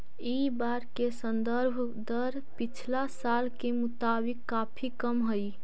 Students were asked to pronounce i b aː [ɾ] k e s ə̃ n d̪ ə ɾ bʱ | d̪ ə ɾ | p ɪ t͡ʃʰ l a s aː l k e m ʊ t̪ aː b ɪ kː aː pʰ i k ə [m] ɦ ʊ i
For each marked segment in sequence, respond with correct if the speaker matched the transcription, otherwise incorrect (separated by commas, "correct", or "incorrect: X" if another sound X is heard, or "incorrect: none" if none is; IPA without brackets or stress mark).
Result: correct, correct